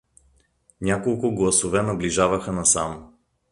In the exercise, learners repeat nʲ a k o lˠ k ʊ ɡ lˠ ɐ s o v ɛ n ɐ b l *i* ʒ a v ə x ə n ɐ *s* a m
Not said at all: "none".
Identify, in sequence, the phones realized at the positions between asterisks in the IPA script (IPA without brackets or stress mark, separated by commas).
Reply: i, s